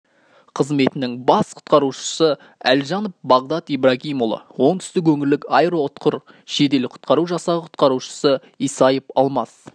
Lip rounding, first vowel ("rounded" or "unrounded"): unrounded